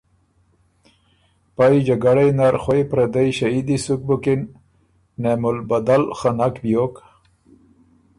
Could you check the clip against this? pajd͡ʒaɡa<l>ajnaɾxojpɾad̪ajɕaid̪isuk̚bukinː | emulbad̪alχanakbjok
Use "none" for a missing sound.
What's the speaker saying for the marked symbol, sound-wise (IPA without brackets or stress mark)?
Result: ɽ